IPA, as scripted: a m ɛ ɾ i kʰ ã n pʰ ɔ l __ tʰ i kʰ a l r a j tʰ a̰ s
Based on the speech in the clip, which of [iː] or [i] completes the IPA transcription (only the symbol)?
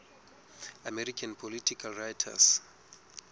i